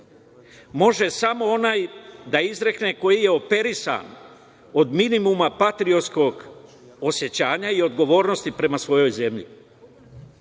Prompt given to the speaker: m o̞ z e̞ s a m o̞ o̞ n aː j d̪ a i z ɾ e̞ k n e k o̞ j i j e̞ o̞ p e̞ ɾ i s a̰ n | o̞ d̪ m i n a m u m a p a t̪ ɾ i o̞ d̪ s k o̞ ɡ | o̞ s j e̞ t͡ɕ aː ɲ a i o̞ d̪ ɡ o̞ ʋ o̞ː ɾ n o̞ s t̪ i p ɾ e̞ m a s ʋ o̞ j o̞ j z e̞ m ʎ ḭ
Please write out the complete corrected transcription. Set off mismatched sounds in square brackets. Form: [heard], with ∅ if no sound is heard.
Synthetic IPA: m o̞ [ʒ] e̞ s a m o̞ o̞ n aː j d̪ a i z ɾ e̞ k n e k o̞ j i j e̞ o̞ p e̞ ɾ i s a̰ n | o̞ d̪ m i n [i] m u m a p a t̪ ɾ i o̞ [t̪] s k o̞ ɡ | o̞ s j e̞ t͡ɕ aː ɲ a i o̞ d̪ ɡ o̞ ʋ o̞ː ɾ n o̞ s t̪ i p ɾ e̞ m a s ʋ o̞ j o̞ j z e̞ m ʎ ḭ